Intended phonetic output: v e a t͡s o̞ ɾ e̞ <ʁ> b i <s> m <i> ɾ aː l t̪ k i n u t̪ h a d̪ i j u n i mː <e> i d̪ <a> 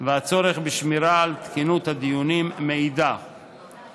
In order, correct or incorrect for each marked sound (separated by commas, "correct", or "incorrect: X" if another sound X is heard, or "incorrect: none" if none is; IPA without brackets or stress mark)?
incorrect: χ, incorrect: ʃ, correct, correct, correct